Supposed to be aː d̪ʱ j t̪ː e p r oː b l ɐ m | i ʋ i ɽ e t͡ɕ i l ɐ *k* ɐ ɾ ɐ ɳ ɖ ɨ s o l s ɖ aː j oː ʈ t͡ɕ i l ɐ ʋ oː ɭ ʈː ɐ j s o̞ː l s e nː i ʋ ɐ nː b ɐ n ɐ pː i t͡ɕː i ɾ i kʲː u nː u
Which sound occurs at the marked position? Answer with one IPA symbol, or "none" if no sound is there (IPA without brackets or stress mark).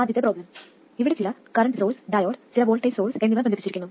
k